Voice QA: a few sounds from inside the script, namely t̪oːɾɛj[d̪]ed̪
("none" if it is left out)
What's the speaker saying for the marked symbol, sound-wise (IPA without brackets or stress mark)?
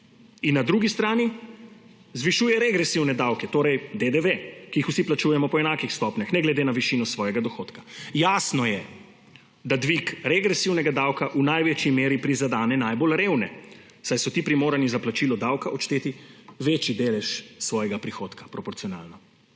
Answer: d̪